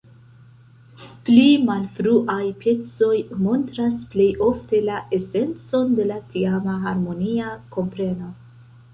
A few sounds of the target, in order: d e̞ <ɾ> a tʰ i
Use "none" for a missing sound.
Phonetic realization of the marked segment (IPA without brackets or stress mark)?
l